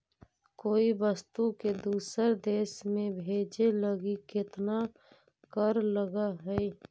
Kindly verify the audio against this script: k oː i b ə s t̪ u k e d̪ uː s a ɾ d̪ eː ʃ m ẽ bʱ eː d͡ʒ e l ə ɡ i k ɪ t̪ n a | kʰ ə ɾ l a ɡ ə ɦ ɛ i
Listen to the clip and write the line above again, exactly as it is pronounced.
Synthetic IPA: k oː i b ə s t̪ u k e d̪ uː s ə ɾ d̪ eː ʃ m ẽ bʱ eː d͡ʒ e l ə ɡ i k ɪ t̪ n a | k ə ɾ l ə ɡ a ɦ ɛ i